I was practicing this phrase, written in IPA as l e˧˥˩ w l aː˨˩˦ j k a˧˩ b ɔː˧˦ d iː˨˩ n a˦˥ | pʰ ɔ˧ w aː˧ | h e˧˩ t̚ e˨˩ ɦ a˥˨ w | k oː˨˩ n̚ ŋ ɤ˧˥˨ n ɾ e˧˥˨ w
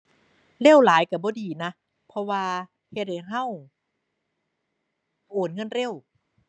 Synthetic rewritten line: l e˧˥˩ w l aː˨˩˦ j k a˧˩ b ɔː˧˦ d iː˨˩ n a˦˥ | pʰ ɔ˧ w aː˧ | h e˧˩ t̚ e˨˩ ɦ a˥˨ w | ʔ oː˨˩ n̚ ŋ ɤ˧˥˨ n ɾ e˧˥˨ w